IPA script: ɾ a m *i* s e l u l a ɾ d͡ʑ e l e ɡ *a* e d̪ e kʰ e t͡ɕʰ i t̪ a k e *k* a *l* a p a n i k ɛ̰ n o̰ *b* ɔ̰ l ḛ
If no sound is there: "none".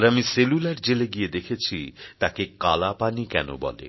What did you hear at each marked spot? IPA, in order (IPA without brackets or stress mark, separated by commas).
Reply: i, i, k, l, b